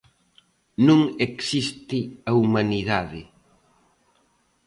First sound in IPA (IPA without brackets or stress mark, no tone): n